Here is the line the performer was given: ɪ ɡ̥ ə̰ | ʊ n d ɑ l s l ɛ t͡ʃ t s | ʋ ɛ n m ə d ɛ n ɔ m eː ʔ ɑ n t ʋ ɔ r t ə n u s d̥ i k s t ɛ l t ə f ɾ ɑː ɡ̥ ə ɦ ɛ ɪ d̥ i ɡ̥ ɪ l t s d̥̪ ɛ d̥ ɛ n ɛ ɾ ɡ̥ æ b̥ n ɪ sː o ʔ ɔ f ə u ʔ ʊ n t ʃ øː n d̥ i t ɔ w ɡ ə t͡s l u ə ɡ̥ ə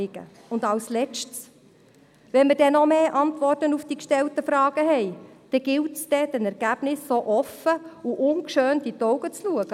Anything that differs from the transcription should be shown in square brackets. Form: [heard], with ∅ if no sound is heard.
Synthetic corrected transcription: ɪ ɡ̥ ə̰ | ʊ n d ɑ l s l ɛ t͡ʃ t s | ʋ ɛ n m ə d ɛ n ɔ m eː ʔ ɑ n t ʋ ɔ r t ə n u [f] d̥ i k [ʃ] t ɛ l t ə f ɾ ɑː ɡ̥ ə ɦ ɛ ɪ d̥ [ɛ] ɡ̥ ɪ l t s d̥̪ ɛ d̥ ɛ n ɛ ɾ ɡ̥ æ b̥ n ɪ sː o ʔ ɔ f ə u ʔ ʊ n [k] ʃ øː n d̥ i t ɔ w ɡ ə t͡s l u ə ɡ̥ ə